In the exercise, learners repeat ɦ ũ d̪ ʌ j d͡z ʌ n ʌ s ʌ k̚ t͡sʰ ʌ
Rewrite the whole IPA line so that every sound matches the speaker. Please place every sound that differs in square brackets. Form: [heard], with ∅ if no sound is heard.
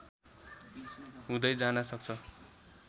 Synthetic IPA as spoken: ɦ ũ d̪ ʌ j d͡z [a] n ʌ s ʌ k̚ t͡sʰ ʌ